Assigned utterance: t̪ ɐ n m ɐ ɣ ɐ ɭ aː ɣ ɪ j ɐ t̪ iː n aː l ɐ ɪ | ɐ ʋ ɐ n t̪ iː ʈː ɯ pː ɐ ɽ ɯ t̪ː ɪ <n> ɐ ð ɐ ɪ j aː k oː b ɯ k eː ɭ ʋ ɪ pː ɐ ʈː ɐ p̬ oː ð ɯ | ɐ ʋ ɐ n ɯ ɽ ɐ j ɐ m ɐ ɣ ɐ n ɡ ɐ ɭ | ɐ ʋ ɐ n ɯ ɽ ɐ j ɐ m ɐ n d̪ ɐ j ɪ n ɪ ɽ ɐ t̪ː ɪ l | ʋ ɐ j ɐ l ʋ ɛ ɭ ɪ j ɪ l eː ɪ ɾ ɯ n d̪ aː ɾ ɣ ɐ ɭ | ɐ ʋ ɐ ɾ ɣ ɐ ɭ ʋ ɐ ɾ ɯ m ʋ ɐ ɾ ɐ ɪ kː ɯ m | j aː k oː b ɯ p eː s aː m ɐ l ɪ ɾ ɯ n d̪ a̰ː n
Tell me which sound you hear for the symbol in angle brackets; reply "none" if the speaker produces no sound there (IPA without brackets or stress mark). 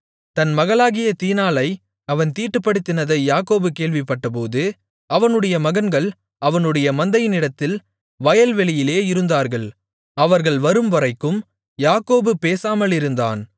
n